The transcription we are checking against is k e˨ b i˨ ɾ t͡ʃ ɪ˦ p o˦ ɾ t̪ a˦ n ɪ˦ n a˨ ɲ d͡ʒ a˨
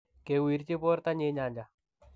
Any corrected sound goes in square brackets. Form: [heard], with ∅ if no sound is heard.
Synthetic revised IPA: k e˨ [w] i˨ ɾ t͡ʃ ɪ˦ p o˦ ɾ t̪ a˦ [ɲ] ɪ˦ [ɲ] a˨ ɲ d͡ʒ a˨